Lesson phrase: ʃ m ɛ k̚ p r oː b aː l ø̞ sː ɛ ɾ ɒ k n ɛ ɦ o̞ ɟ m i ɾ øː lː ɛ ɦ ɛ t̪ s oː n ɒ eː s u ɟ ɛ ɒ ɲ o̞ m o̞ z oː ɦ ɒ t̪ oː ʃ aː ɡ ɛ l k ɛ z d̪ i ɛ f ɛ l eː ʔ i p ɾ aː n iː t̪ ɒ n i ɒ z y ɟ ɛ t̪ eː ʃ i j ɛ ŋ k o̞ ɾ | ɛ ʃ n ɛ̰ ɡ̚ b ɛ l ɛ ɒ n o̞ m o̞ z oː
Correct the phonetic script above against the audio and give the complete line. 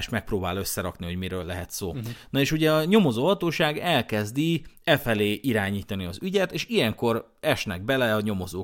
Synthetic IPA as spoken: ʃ m ɛ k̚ p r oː b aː l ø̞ sː ɛ ɾ ɒ k n i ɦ o̞ ɟ m i ɾ øː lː ɛ ɦ ɛ t̪ s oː n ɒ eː ʃ u ɟ ɛ ɒ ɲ o̞ m o̞ z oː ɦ ɒ t̪ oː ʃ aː ɡ ɛ l k ɛ z d̪ i ɛ f ɛ l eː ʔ i ɾ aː ɲ iː t̪ ɒ n i ɒ z y ɟ ɛ t̪ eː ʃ i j ɛ ŋ k o̞ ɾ | ɛ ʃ n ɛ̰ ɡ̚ b ɛ l ɛ ɒ ɲ o̞ m o̞ z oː